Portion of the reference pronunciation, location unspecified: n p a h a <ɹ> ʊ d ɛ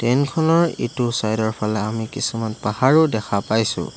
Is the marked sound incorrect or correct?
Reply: correct